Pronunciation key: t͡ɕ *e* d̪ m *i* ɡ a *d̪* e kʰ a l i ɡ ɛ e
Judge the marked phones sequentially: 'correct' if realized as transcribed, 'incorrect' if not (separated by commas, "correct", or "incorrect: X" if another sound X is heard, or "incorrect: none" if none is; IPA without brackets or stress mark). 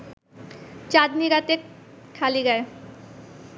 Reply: incorrect: a, correct, incorrect: t̪